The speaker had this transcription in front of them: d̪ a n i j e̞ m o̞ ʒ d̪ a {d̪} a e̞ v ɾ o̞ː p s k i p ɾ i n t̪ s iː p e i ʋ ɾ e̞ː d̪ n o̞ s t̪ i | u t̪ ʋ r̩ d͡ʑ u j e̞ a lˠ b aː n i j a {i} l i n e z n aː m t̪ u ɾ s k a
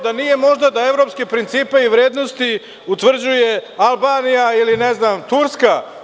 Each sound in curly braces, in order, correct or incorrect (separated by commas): correct, correct